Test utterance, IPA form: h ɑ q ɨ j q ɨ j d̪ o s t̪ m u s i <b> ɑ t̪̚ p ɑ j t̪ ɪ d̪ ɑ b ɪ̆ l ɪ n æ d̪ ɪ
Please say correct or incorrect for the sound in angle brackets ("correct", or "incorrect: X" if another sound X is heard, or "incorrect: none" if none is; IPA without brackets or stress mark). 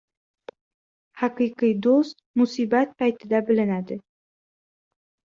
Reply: correct